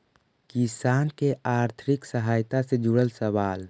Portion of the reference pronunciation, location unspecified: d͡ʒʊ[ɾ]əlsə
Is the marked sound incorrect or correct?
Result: incorrect